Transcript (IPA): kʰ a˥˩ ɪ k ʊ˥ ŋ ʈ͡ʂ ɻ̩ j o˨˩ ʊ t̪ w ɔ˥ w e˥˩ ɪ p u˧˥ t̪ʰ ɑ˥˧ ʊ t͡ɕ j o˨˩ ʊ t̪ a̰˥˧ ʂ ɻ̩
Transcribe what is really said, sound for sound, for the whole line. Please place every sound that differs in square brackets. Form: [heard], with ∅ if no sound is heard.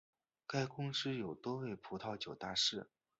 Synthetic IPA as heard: [k] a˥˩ ɪ k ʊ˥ ŋ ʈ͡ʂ ɻ̩ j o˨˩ ʊ t̪ w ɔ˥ w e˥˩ ɪ [pʰ] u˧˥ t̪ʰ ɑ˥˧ ʊ t͡ɕ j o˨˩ ʊ t̪ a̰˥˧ ʂ ɻ̩